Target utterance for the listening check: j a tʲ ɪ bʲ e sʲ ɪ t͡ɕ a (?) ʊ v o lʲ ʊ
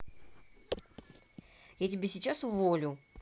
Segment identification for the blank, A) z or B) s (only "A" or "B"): B